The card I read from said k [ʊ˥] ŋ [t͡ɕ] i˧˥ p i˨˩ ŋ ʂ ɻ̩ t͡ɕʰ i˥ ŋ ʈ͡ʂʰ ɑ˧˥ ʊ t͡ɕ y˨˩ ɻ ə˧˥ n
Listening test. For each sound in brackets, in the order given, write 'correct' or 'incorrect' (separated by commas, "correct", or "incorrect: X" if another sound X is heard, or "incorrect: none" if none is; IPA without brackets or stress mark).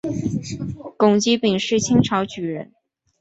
incorrect: ʊ˨˩, correct